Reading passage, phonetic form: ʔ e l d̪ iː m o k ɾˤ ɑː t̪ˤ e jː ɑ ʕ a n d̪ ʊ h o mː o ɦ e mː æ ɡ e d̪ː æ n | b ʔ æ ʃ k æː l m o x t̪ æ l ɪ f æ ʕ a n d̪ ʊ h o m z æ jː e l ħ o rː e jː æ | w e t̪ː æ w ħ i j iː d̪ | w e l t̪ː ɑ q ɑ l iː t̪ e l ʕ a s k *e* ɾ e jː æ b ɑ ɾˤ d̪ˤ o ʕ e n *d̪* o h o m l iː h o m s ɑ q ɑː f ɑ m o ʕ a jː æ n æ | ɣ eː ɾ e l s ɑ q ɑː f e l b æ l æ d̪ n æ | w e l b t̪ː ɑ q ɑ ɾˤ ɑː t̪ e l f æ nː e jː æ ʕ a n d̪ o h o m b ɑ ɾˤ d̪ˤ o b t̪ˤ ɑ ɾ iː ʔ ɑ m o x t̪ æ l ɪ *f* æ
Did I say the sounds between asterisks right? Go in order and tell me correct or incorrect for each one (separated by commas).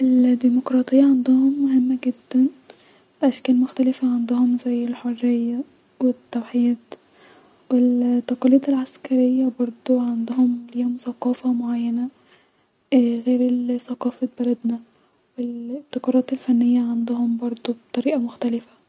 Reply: incorrect, correct, correct